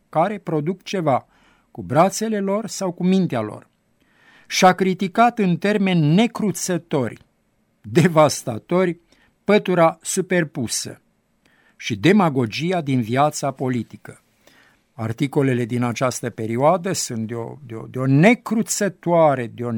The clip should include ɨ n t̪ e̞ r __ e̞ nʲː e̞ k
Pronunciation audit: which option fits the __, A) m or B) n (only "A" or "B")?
A